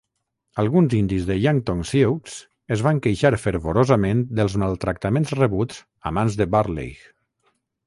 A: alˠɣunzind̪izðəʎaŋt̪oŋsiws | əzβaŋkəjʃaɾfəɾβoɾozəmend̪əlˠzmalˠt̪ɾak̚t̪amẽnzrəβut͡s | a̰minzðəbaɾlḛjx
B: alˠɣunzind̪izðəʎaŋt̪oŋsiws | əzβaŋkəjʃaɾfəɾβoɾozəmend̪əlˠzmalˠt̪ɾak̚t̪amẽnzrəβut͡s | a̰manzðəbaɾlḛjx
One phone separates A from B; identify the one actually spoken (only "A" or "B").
B